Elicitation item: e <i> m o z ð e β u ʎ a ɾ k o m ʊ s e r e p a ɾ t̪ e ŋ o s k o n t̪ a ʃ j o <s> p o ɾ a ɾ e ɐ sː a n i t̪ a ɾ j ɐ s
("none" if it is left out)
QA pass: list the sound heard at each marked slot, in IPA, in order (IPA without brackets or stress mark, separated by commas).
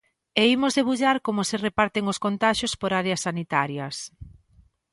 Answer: i, s